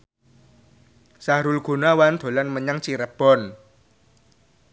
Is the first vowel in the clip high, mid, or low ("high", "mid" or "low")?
low